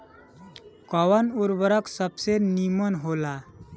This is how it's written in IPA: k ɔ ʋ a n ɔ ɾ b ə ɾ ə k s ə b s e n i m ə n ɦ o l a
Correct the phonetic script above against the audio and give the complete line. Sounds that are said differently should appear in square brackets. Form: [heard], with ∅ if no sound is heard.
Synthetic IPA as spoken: k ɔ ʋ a n [u] ɾ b ə ɾ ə k s ə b s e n i m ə n ɦ o l a